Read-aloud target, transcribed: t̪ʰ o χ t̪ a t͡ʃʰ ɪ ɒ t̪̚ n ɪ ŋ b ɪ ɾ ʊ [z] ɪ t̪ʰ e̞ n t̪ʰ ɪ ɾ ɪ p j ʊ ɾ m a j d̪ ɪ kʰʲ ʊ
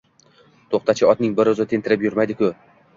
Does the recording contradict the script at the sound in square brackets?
no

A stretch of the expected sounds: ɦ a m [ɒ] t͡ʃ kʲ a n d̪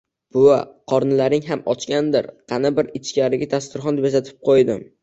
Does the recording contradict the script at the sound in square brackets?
no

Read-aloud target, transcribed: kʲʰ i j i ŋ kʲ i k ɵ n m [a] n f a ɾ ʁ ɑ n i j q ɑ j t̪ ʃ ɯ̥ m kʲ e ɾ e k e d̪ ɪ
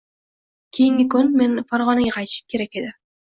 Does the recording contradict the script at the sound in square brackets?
yes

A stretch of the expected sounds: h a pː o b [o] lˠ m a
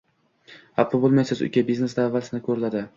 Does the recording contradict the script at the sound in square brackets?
no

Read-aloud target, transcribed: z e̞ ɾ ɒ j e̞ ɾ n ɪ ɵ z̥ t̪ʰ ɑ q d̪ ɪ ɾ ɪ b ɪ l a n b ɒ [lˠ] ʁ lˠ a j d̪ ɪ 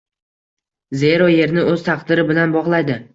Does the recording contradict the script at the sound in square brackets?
yes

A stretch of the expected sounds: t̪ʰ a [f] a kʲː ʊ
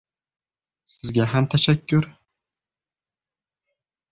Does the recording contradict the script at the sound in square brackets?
yes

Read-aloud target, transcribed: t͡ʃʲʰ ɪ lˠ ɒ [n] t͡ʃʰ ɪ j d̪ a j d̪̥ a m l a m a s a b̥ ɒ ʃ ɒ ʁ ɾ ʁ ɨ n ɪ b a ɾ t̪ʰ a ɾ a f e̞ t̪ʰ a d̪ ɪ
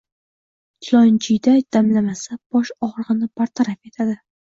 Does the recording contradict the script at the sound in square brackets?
no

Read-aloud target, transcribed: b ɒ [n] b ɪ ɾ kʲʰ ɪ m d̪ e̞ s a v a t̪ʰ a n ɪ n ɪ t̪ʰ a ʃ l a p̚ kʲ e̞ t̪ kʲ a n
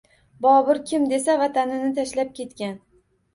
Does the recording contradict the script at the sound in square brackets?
yes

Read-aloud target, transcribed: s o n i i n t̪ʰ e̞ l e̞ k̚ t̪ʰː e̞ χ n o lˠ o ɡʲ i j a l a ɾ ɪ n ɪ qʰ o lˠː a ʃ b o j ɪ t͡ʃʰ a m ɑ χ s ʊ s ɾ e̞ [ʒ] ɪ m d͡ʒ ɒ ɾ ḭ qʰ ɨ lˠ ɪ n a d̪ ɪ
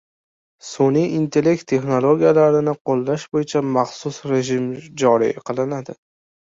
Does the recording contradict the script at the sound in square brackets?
no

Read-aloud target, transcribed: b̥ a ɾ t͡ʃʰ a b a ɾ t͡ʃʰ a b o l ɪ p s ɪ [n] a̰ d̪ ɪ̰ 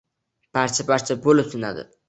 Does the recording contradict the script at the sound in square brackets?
no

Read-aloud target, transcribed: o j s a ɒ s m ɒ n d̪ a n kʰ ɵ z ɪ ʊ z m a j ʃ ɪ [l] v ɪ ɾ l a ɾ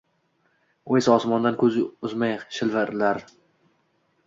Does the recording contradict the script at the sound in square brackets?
no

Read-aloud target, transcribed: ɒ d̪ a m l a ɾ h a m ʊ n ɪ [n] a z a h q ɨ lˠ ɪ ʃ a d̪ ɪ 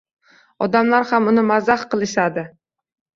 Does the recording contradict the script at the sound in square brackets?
yes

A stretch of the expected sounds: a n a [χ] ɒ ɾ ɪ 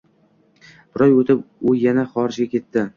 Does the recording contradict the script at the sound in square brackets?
no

